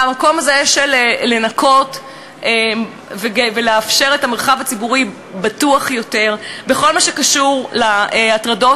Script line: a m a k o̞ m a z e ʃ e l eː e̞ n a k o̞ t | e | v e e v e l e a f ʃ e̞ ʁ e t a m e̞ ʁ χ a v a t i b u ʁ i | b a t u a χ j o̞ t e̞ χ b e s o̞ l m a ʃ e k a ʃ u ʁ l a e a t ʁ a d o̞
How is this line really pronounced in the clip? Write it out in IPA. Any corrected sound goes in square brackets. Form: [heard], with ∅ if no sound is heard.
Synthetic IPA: a m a k o̞ m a z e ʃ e l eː e̞ n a k o̞ t | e | v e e v e l e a f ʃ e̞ ʁ e t a m e̞ ʁ χ a v a [t͡s] i b u ʁ i | b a t u a χ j o̞ t e̞ [ʁ] b e [χ] o̞ l m a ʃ e k a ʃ u ʁ l a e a t ʁ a d o̞